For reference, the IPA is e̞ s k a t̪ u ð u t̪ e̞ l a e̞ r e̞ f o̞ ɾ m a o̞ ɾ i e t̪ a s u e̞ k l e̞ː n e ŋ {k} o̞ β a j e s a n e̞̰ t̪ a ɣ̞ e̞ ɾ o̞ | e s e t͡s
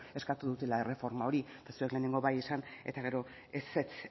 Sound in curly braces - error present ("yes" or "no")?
yes